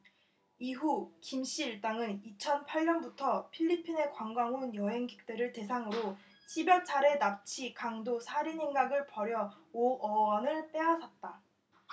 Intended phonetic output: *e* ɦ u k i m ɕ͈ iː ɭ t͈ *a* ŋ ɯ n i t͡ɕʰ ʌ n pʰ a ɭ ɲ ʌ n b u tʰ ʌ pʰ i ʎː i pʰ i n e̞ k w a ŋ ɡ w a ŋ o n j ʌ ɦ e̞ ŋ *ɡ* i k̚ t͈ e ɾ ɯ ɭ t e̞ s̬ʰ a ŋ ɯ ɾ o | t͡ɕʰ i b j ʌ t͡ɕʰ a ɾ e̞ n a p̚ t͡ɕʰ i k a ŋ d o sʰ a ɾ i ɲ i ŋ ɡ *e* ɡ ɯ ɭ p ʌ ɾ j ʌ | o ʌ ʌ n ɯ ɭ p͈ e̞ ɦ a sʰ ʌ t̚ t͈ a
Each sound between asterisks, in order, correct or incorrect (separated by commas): incorrect, correct, correct, incorrect